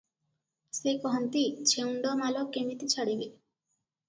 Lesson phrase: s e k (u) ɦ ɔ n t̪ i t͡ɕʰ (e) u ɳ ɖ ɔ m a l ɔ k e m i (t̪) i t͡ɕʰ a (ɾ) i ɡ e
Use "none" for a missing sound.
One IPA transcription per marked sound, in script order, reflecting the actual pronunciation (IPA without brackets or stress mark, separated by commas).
ɔ, e, t̪, ɽ